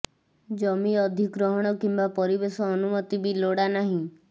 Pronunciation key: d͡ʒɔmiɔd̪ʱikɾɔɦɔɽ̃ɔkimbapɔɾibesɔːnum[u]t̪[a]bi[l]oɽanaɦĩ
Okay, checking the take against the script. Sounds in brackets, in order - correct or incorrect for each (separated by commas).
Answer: incorrect, incorrect, correct